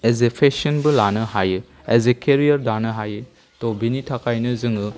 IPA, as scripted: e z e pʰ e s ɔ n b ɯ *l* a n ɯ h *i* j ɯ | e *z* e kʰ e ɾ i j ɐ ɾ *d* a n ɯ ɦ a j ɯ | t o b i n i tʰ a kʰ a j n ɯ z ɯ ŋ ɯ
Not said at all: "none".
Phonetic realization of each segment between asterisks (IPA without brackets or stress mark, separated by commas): l, a, z, d